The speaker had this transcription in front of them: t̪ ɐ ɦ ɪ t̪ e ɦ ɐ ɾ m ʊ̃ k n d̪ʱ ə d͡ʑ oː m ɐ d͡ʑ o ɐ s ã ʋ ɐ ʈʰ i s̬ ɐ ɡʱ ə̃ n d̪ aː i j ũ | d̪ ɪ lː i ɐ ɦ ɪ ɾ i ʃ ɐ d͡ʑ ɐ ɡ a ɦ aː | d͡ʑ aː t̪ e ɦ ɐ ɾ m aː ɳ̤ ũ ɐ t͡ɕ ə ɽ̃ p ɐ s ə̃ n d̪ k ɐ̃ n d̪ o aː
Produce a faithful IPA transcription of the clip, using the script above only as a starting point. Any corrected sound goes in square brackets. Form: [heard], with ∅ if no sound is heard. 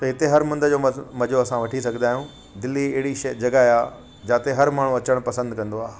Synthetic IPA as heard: t̪ ɐ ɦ ɪ t̪ e ɦ ɐ ɾ m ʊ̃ [∅] n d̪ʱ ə d͡ʑ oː m ɐ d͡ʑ o ɐ s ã ʋ ɐ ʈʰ i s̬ ɐ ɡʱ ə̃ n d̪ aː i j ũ | d̪ ɪ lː i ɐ ɦ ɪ [ɽ] i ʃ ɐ d͡ʑ ɐ ɡ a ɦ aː | d͡ʑ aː t̪ e ɦ ɐ ɾ m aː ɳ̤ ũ ɐ t͡ɕ ə ɽ̃ p ɐ s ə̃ n d̪ k ɐ̃ n d̪ o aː